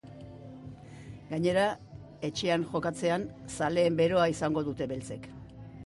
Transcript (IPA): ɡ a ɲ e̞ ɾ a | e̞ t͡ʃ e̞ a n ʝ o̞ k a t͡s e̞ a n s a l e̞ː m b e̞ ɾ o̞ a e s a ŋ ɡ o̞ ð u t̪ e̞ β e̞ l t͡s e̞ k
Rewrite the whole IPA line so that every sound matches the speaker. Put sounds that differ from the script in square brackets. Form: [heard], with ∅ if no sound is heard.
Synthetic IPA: ɡ a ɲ e̞ ɾ a | e̞ t͡ʃ e̞ a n ʝ o̞ k a t͡s e̞ a n s a l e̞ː m b e̞ ɾ o̞ a [i] s a ŋ ɡ o̞ ð u t̪ e̞ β e̞ l t͡s e̞ k